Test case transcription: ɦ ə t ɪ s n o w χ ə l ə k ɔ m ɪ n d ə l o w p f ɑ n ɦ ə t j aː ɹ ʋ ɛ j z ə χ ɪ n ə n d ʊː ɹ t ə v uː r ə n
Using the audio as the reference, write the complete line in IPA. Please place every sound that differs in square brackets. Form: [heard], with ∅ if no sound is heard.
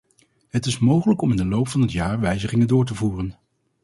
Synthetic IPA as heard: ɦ ə t ɪ s [m] o w χ ə l ə k ɔ m ɪ n d ə l o w p f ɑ n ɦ ə t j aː ɹ ʋ ɛ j z ə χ ɪ [ŋ] ə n d ʊː ɹ t ə v uː r ə n